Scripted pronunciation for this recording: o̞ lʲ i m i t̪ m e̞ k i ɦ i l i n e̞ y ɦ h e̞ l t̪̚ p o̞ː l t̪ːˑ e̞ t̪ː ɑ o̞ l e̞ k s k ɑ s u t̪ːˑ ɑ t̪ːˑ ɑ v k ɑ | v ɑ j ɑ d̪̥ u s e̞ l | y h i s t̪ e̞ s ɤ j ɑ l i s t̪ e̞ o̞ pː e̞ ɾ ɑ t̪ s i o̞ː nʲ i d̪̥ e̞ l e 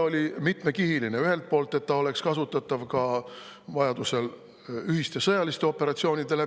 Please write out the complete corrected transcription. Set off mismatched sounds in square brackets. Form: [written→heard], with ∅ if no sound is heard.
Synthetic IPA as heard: o̞ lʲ i m i t̪ m e̞ k i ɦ i l i n e̞ y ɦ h e̞ l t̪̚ p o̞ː l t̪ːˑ e̞ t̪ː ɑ o̞ l e̞ k s k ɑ s u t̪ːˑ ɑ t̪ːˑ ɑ v k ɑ | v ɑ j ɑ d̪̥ u s e̞ l | y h i s t̪ e̞ s ɤ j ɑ l i s t̪ e̞ o̞ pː e̞ ɾ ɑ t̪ s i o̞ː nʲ i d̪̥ e̞ l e